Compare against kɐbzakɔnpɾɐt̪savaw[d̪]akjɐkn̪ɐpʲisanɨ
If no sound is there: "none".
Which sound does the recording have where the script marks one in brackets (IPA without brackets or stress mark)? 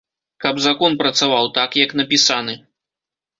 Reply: t̪